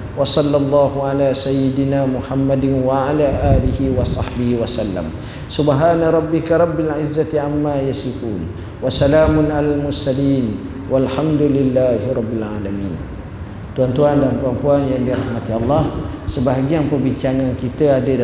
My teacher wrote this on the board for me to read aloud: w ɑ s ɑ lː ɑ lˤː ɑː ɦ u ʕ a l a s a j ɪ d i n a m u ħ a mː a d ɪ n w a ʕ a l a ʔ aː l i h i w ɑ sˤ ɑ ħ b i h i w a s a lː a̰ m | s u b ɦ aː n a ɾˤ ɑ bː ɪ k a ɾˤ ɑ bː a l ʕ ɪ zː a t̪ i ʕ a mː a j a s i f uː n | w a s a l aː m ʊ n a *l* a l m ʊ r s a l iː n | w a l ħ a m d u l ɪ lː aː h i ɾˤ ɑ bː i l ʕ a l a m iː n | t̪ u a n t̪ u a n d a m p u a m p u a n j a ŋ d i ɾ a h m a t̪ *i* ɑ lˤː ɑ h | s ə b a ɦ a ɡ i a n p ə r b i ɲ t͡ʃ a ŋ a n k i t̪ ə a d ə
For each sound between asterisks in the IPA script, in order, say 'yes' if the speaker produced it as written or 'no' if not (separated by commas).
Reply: yes, yes